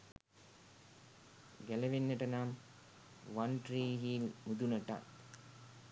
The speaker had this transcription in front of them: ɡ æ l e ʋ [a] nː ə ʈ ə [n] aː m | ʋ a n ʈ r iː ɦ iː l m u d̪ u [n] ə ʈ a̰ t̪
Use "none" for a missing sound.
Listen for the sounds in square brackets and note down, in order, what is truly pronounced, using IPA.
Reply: e, n, n

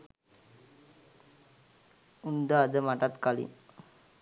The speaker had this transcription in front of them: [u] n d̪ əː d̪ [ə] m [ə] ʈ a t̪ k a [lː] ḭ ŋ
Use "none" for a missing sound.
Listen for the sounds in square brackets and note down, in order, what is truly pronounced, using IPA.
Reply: u, ə, a, l

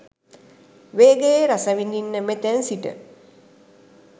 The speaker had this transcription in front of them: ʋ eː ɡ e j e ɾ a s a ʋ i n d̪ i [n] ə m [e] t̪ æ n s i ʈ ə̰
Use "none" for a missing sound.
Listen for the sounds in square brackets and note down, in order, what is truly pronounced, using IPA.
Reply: nː, e

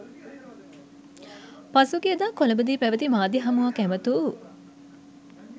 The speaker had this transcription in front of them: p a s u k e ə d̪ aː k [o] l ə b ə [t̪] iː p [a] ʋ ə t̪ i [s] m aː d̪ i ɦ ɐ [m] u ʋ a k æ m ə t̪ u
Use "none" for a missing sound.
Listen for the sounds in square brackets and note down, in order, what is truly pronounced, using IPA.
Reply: o, d̪, æ, none, m

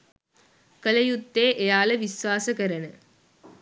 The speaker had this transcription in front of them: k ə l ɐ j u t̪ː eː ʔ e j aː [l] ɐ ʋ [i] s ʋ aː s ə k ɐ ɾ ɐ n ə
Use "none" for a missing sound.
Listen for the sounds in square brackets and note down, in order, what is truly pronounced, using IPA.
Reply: l, i

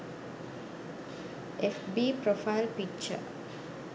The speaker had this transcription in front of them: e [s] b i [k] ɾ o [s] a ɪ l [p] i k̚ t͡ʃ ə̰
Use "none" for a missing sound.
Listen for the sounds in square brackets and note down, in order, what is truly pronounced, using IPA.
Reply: f, p, f, p

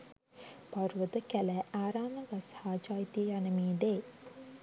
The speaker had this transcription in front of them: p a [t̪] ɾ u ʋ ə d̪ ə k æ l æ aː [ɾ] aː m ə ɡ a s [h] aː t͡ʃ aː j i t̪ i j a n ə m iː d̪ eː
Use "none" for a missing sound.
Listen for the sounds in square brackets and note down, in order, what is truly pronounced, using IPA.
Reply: none, ɾ, h

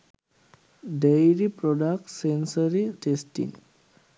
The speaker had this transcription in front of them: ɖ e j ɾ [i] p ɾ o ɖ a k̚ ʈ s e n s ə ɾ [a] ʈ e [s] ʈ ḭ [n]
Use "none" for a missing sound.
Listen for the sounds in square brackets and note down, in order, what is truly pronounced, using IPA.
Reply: i, i, s, ŋ

